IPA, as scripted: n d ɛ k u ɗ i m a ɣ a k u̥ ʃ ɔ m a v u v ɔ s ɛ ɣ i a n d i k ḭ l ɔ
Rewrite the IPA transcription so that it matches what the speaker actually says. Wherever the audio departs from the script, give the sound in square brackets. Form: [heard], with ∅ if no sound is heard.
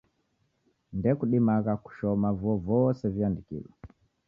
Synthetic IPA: n d ɛ k u ɗ i m a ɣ a k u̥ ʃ ɔ m a v [ɔ] v ɔ s ɛ [v] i a n d i k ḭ l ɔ